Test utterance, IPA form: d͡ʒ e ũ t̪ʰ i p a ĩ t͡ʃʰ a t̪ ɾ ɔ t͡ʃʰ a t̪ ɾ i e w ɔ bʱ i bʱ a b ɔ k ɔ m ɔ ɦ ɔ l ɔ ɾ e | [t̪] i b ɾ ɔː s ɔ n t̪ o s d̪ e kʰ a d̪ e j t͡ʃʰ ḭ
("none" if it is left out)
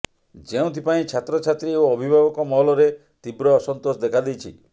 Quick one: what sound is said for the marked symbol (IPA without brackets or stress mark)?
t̪